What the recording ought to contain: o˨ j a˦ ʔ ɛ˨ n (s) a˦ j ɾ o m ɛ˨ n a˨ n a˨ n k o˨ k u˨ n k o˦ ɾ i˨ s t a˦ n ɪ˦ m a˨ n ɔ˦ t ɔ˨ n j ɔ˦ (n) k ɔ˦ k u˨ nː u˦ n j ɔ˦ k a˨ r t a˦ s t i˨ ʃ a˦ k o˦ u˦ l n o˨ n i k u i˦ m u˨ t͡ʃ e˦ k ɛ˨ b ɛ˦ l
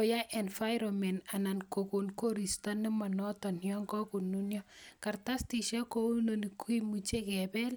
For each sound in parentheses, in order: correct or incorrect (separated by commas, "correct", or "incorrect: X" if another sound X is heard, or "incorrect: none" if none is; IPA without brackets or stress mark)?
incorrect: f, incorrect: ŋ